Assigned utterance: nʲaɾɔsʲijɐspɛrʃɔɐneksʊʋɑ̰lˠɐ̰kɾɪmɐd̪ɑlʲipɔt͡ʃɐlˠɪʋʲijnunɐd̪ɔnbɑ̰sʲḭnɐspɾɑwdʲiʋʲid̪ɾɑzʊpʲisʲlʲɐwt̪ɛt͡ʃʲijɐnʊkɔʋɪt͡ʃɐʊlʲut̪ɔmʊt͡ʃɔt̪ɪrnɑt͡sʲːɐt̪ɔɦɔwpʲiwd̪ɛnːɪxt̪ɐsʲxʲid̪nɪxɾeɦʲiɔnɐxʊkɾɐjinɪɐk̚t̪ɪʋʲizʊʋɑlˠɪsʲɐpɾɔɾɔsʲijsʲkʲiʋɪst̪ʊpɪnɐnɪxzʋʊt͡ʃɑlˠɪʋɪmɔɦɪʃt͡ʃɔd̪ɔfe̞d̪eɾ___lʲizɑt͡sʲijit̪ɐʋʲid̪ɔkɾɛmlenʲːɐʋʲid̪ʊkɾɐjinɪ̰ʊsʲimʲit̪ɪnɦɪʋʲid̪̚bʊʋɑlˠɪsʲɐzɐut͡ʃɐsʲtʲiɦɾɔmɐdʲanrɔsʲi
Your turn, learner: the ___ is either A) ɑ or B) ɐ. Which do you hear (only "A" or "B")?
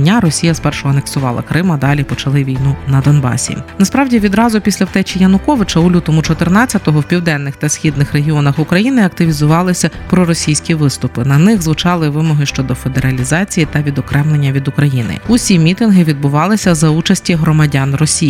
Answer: B